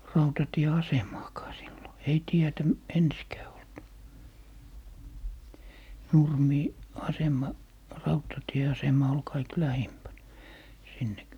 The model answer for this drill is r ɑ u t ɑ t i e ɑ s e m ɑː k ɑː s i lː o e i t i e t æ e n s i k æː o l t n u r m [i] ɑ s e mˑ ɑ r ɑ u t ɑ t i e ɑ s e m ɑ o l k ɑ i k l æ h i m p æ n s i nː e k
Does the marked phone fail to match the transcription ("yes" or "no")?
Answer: yes